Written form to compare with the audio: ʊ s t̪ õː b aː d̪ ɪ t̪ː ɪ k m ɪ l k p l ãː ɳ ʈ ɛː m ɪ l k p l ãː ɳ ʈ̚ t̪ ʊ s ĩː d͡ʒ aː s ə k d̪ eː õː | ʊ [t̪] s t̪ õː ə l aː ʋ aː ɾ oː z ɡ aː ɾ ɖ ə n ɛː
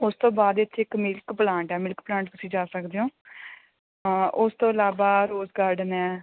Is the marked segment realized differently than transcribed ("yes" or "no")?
yes